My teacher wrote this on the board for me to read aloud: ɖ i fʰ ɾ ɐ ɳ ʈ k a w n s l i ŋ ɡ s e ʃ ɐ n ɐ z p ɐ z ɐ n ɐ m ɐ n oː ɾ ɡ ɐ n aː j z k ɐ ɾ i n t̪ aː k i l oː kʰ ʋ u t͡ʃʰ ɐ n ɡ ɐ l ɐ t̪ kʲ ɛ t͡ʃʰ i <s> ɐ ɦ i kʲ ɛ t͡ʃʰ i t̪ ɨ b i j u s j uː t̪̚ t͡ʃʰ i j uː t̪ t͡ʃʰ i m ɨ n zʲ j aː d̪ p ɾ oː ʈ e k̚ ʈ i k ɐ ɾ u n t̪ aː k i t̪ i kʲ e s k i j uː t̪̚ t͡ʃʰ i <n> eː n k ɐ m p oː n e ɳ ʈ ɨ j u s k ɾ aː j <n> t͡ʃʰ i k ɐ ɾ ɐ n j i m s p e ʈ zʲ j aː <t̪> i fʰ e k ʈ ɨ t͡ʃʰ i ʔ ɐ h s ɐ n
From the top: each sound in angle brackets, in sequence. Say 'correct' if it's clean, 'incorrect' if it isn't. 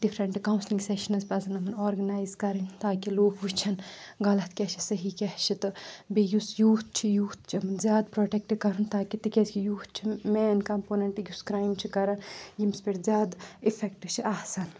correct, incorrect: m, incorrect: m, incorrect: d̪

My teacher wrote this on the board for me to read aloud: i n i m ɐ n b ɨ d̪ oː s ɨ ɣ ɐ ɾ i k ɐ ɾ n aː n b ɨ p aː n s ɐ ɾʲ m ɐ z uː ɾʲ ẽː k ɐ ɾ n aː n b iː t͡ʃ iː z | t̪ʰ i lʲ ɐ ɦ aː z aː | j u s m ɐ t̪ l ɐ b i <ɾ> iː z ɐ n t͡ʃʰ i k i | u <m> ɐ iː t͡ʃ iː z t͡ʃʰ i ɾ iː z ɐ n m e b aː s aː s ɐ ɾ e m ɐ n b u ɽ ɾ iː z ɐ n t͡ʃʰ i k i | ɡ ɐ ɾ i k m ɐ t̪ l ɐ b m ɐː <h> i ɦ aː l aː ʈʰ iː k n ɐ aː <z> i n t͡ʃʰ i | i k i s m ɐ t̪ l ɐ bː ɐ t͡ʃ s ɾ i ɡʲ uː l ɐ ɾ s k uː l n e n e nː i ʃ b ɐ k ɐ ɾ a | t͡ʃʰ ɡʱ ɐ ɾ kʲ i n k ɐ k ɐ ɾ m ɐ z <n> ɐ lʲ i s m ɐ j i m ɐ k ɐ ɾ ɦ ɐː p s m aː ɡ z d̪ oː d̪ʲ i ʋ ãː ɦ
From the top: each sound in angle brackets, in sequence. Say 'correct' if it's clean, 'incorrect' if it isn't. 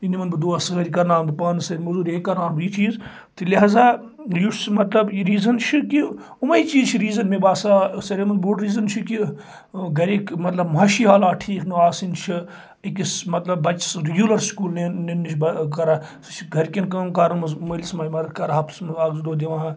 correct, correct, incorrect: ʃ, incorrect: s, incorrect: m

